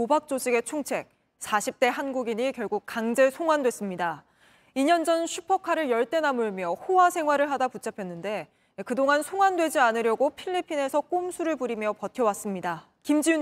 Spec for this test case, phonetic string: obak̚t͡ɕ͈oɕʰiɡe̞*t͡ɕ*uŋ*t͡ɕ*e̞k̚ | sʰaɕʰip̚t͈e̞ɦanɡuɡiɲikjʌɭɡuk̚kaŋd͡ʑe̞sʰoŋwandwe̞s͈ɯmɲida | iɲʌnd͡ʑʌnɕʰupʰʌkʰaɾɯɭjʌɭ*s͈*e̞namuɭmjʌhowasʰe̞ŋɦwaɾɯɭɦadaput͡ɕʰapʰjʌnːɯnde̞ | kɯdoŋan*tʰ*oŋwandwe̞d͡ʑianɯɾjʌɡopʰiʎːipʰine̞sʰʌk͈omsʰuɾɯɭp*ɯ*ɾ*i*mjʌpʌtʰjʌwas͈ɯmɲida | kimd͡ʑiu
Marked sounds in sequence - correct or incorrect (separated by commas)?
incorrect, incorrect, incorrect, incorrect, incorrect, correct